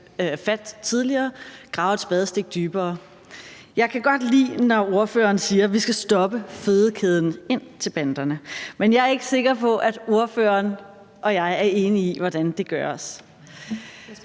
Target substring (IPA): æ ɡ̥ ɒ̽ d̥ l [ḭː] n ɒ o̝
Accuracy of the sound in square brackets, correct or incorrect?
correct